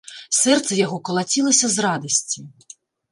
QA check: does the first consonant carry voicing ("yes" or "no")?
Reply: no